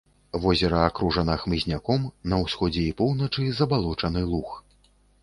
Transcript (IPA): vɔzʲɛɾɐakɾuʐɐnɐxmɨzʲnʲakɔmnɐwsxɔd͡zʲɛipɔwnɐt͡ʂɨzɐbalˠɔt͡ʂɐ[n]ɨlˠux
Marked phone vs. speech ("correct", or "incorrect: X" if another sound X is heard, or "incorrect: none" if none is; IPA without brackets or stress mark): correct